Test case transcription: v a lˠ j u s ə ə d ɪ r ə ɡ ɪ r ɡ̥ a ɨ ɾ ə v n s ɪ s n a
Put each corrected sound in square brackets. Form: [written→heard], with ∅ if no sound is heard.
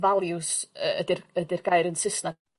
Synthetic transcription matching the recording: v a lˠ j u s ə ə d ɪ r ə [ɡ→d] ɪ r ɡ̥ a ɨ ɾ ə [v→∅] n s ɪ s n a